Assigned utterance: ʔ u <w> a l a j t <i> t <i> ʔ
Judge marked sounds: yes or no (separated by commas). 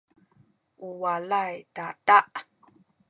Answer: yes, no, no